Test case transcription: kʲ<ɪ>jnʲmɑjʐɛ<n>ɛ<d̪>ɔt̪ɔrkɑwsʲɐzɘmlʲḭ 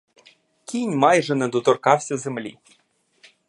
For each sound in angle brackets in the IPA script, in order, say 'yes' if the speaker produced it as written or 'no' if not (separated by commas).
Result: no, yes, yes